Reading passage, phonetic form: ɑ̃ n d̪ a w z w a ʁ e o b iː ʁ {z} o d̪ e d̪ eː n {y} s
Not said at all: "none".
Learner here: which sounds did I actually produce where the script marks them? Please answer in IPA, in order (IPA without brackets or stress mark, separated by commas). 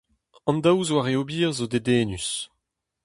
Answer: z, y